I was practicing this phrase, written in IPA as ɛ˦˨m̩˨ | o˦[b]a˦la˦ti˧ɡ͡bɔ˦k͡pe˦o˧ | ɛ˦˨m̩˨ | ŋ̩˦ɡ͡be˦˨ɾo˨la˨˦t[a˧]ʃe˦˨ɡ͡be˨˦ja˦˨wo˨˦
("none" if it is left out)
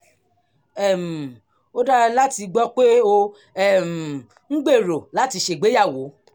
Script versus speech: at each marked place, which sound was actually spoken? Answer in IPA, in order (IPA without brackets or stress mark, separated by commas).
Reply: d, i˧